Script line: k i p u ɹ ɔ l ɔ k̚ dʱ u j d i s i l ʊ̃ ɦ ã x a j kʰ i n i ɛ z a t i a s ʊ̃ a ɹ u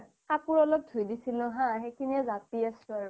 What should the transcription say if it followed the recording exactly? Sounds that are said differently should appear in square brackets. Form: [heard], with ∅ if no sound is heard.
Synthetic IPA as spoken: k [a] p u ɹ ɔ l ɔ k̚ dʱ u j d i s i l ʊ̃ ɦ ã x [e] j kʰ i n i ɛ z a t i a s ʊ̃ a ɹ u